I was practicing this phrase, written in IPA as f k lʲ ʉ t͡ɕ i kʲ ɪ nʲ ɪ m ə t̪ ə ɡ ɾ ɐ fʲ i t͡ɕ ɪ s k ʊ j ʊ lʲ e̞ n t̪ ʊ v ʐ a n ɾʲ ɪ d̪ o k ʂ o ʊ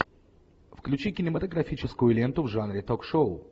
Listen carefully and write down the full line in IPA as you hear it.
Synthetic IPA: f k lʲ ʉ t͡ɕ i kʲ ɪ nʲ ɪ m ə t̪ ə ɡ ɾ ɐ fʲ i t͡ɕ ɪ s k ʊ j ʊ lʲ e̞ n t̪ ʊ v ʐ a n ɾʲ ɪ t̪ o k ʂ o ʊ